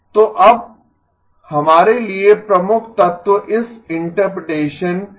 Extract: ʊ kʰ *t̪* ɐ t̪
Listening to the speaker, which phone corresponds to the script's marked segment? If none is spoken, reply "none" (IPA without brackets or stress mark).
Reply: t̪